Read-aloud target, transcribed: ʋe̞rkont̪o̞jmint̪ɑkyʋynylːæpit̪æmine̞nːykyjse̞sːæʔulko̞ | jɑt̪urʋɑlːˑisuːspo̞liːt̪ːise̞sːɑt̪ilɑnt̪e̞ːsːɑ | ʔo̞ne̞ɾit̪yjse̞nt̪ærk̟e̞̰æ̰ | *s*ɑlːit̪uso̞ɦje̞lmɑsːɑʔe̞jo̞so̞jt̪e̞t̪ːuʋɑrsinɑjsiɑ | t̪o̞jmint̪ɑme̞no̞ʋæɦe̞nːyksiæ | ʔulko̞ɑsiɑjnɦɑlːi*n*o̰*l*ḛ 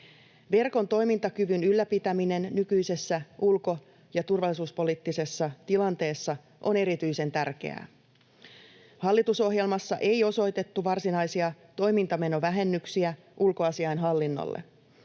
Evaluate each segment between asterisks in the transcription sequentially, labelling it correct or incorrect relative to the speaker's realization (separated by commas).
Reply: incorrect, incorrect, incorrect